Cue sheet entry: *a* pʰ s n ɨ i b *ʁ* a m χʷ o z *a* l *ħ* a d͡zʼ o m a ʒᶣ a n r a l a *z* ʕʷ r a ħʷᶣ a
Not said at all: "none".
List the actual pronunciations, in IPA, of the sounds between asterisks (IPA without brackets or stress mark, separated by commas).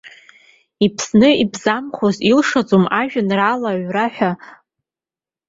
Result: i, z, i, ʂ, none